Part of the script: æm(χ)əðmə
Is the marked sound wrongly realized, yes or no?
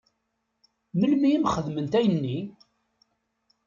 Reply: no